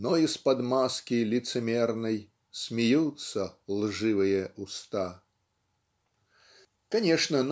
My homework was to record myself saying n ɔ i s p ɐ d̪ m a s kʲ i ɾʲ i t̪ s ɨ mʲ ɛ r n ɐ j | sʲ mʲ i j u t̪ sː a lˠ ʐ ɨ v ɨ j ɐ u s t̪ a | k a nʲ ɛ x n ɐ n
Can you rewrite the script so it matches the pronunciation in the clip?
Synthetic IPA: n ɔ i s p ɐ d̪ m a s kʲ i lʲ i t̪ s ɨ mʲ ɛ r n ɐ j | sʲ mʲ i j u t̪ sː ɐ lˠ ʐ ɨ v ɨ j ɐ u s t̪ a | k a nʲ ɛ ʂ n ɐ n